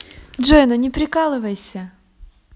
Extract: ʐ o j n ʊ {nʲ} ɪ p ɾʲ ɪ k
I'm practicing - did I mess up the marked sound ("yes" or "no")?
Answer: no